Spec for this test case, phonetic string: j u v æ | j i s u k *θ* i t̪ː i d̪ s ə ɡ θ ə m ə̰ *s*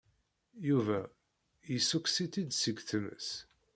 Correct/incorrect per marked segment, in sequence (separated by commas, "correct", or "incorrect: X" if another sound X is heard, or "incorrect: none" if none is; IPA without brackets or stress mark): incorrect: s, correct